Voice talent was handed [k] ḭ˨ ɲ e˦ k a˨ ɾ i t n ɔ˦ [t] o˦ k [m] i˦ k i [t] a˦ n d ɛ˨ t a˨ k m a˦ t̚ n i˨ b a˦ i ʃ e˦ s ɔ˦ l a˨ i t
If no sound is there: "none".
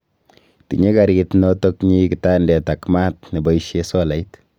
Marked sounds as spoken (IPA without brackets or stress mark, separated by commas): t, t, ɲ, t